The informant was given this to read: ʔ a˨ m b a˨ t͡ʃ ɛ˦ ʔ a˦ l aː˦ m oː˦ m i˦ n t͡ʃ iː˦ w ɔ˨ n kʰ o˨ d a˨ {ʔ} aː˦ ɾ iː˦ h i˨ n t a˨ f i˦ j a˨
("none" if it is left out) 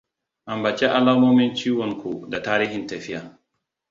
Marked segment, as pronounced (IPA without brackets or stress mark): t